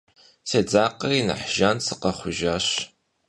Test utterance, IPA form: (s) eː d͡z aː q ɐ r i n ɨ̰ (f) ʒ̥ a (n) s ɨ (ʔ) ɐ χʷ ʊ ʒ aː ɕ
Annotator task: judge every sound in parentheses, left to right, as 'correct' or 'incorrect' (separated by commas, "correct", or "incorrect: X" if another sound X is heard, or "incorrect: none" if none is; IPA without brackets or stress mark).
correct, incorrect: ħ, correct, incorrect: q